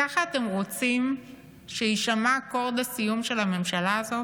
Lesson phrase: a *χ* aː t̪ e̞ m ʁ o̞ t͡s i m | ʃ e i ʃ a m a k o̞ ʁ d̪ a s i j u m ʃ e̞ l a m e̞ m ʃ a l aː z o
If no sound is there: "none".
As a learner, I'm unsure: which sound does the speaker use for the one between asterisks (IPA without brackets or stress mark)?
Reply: χ